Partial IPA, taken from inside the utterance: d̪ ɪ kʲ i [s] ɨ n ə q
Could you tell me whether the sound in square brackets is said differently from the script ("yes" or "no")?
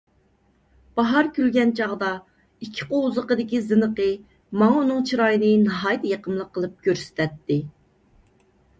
yes